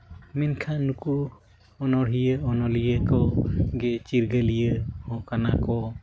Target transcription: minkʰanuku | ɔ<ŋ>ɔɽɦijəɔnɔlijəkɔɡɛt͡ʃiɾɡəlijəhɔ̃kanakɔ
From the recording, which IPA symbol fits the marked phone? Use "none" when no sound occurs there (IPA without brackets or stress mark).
n